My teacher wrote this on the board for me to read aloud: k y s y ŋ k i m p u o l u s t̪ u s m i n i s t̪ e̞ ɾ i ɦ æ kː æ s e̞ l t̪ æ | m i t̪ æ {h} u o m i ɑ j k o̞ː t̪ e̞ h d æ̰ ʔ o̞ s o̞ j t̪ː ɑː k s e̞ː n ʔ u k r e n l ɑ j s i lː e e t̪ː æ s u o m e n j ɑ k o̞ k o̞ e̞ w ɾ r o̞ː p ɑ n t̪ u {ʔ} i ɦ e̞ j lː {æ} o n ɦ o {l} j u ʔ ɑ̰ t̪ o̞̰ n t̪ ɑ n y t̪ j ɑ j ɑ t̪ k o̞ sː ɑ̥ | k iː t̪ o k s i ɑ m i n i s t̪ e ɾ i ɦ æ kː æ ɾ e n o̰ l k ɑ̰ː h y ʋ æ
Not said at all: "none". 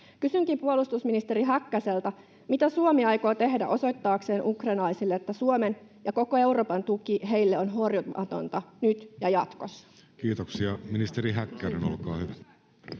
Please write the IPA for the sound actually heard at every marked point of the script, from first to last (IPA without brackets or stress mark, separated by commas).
s, k, e, r